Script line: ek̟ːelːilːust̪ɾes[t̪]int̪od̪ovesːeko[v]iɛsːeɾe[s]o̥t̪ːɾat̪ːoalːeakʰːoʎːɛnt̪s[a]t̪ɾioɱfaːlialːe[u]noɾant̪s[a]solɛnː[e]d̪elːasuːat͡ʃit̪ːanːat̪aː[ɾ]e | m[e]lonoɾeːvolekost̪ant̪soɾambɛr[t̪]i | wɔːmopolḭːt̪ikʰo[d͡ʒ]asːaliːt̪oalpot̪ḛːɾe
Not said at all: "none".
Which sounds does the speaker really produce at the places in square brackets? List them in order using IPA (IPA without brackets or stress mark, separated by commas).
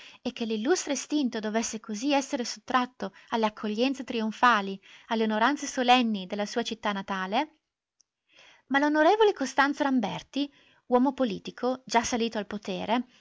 t̪, z, s, e, o, e, i, l, a, t̪, d͡ʒ